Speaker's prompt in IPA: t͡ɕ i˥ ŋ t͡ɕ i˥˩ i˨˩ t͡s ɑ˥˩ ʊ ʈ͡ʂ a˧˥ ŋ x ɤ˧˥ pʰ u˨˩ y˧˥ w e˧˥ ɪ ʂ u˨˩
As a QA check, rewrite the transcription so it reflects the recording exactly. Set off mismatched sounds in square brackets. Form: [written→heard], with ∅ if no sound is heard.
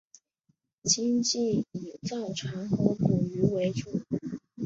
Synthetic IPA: t͡ɕ i˥ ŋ t͡ɕ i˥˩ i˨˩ t͡s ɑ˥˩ ʊ [ʈ͡ʂ→ʈ͡ʂʰ] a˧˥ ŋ x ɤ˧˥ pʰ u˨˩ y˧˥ w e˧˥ ɪ [ʂ→ʈ͡ʂ] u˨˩